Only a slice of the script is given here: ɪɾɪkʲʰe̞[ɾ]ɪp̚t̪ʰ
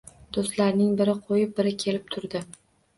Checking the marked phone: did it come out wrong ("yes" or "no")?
yes